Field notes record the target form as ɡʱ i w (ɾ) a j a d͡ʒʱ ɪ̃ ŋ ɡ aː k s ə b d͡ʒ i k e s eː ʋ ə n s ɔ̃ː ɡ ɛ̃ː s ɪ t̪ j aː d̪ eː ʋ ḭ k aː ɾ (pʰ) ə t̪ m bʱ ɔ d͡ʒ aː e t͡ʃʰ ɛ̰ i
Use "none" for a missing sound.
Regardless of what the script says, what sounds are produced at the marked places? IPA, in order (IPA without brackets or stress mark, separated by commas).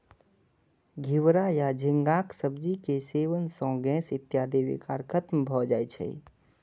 ɾ, kʰ